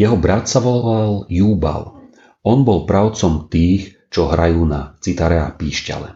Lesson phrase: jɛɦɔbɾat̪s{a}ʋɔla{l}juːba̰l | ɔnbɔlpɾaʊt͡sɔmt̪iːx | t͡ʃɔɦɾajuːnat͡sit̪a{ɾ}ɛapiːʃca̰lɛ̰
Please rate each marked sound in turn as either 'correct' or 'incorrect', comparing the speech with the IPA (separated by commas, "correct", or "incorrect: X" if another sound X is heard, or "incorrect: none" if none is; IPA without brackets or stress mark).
correct, correct, correct